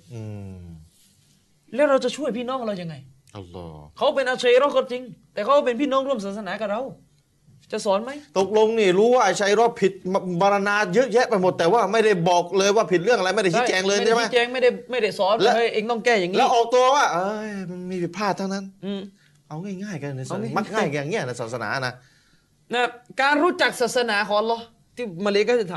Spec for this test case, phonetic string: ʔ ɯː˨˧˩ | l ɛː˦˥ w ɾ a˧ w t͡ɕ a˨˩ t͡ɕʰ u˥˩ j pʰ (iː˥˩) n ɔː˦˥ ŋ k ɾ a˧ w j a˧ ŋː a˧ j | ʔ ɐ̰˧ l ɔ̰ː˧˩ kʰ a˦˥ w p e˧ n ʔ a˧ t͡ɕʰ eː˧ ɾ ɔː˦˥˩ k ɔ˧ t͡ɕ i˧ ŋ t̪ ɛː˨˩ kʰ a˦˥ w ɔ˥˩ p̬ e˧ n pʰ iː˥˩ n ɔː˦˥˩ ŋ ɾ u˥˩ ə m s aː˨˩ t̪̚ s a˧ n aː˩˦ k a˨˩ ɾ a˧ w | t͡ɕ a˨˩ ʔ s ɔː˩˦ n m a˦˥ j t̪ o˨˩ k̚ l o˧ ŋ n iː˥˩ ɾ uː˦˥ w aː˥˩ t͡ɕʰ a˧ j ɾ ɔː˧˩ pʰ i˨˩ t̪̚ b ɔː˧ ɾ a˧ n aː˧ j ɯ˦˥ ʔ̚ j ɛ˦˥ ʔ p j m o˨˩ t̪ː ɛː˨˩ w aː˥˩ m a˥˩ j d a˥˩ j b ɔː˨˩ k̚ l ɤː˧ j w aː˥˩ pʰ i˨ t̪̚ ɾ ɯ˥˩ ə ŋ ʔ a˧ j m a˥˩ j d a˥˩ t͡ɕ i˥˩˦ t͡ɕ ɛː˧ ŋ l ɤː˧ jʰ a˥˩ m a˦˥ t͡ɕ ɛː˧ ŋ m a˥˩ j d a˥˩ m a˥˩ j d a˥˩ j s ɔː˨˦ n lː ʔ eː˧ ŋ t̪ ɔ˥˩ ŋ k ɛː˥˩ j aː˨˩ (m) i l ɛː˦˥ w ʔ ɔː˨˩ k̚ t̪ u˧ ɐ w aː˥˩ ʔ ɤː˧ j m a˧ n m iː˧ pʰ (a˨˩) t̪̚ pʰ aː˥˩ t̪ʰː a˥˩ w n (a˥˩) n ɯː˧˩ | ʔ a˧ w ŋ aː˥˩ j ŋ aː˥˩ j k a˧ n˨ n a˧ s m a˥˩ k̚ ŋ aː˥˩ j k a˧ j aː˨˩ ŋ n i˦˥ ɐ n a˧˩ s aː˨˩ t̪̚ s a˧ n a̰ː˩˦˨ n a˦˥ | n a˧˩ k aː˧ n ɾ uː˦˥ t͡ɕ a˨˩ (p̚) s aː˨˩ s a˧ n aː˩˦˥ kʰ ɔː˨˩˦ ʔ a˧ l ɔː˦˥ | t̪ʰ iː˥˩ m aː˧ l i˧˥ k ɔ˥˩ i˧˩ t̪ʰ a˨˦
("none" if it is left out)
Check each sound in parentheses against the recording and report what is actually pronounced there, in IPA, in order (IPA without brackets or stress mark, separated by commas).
iː˥˩, ŋ, i˨˩, a˦˥, k̚